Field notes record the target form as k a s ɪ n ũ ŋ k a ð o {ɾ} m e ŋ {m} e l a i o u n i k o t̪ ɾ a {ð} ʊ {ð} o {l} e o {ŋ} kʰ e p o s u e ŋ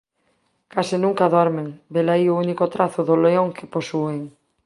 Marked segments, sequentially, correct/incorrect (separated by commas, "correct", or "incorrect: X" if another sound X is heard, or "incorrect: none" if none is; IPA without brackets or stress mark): correct, incorrect: b, incorrect: θ, correct, correct, correct